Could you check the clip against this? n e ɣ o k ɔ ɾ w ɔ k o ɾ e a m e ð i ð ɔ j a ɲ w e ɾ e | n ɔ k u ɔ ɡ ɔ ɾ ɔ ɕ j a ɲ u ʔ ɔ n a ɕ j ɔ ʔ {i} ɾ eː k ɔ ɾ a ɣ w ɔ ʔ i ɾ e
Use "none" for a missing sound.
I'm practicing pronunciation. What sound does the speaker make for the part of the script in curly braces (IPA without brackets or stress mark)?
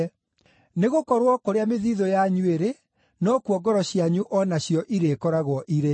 i